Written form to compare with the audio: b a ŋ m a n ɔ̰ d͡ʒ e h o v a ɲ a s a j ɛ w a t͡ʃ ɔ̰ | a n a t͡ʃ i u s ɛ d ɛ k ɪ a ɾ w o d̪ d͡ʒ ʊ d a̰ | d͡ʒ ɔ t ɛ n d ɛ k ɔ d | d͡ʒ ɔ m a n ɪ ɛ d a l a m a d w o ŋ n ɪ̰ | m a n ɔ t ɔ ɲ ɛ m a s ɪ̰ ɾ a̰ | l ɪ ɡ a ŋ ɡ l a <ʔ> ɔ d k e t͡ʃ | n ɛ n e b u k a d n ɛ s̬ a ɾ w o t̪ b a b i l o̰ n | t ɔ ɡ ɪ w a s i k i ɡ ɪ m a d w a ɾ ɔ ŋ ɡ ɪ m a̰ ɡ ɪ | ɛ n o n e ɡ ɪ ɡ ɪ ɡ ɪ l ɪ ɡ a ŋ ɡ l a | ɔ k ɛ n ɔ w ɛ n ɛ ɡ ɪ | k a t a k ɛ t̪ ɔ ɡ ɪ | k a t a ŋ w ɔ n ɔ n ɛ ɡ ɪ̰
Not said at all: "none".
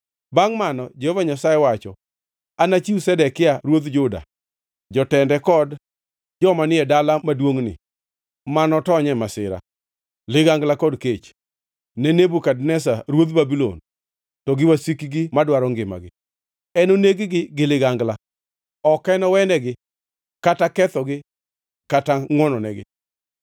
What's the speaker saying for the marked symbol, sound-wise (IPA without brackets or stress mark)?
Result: k